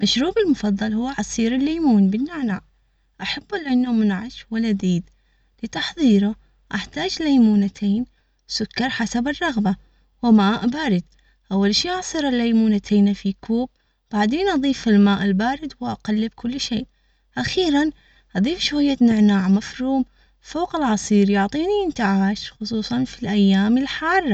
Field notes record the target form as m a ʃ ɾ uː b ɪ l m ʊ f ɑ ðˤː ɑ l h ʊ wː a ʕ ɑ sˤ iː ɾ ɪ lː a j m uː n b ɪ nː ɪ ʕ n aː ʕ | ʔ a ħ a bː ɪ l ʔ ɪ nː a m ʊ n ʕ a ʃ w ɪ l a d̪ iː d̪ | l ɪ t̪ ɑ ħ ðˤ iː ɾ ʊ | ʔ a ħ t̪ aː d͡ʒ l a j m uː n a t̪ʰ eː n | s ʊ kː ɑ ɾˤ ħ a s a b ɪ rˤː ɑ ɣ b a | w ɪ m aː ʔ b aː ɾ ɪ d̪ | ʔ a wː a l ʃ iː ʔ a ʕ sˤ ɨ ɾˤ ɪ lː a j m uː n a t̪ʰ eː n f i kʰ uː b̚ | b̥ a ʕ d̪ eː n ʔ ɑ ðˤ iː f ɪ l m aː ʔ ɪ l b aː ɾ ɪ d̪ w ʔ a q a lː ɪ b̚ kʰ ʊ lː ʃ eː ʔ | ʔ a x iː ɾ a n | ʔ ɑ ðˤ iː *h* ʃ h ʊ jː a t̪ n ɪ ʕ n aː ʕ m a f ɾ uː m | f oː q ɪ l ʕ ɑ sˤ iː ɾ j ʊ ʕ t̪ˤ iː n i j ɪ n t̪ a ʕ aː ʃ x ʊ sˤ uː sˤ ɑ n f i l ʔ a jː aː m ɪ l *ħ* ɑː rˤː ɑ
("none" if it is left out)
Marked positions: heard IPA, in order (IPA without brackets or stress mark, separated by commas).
f, ħ